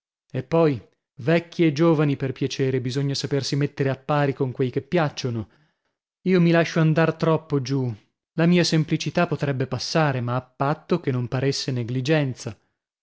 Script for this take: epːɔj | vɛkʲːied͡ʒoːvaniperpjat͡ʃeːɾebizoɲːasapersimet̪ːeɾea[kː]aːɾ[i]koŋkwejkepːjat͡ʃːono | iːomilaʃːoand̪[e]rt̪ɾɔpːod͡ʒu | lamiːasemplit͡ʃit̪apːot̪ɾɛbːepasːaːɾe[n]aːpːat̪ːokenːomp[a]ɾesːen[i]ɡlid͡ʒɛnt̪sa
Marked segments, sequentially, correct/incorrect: incorrect, correct, incorrect, incorrect, correct, incorrect

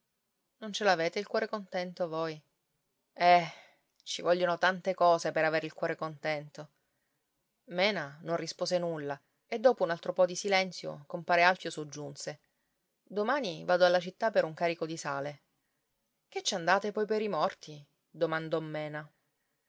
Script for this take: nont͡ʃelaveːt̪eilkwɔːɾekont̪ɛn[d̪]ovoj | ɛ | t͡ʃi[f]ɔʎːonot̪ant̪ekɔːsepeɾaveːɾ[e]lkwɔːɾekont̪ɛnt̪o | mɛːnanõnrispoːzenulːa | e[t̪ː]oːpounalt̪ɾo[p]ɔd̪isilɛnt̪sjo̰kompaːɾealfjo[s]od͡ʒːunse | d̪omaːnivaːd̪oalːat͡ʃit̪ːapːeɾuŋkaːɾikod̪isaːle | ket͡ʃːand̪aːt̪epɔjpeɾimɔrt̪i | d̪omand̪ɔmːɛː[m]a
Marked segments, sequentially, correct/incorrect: incorrect, incorrect, incorrect, incorrect, correct, correct, incorrect

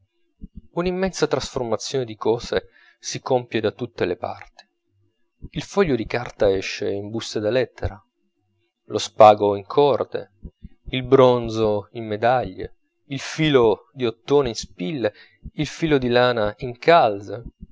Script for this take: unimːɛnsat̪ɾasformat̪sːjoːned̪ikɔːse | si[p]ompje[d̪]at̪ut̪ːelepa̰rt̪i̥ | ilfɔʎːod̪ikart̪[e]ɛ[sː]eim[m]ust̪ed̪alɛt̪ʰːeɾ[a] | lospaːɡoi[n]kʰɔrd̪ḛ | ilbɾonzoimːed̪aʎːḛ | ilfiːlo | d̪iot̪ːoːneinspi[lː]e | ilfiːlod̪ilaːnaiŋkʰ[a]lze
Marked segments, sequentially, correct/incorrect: incorrect, correct, incorrect, incorrect, incorrect, correct, incorrect, correct, correct

